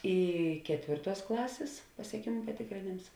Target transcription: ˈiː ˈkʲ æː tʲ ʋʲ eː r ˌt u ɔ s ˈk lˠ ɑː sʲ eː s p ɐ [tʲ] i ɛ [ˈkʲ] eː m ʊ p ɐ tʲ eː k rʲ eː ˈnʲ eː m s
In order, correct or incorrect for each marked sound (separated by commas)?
incorrect, correct